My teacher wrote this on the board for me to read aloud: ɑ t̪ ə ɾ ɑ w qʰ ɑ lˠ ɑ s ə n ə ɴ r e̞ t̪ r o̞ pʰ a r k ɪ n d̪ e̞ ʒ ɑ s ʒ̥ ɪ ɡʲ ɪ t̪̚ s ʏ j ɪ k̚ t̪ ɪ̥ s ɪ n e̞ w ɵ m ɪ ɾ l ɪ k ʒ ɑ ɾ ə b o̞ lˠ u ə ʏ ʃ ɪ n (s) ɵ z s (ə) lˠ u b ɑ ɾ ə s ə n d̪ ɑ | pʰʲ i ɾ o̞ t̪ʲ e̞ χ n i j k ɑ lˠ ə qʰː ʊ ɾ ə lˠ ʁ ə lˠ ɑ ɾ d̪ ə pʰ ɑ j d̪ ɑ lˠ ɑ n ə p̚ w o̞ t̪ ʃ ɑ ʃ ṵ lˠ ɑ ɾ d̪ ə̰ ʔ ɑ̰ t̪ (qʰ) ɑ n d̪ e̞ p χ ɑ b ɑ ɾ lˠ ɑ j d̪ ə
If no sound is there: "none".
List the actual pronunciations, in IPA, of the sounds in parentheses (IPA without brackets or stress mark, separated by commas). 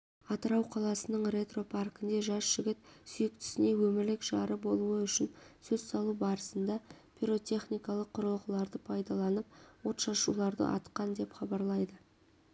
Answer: s, ɑ, q